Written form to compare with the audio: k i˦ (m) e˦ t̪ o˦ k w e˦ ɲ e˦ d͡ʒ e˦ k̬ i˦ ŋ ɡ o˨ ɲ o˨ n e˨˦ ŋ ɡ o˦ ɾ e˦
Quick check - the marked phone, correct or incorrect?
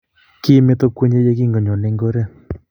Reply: correct